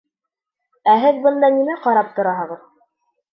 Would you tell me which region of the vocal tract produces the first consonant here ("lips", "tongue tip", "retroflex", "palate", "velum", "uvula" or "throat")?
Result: throat